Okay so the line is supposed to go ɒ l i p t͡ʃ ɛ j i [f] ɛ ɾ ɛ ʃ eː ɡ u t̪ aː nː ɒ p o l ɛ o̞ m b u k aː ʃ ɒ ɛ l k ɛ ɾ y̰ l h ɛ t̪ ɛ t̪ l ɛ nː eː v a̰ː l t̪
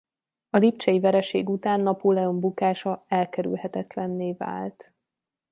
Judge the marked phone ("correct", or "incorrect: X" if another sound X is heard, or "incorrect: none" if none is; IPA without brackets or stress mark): incorrect: v